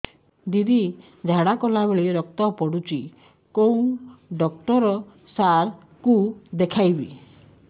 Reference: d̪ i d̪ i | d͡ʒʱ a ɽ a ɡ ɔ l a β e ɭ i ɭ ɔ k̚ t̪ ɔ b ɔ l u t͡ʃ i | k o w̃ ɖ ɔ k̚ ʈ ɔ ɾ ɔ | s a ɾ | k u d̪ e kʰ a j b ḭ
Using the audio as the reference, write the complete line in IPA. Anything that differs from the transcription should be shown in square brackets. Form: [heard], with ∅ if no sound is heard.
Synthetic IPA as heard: d̪ i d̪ i | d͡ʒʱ a ɽ a [k] ɔ l a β e ɭ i [ɾ] ɔ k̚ t̪ ɔ [p] ɔ [ɽ] u t͡ʃ i | k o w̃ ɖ ɔ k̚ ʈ ɔ ɾ ɔ | s a ɾ | k u d̪ e kʰ a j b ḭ